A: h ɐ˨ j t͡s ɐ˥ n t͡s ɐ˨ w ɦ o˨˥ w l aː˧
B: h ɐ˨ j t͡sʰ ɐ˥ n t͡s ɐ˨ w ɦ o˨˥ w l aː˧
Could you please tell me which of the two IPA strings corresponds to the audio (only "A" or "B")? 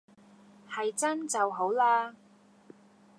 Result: A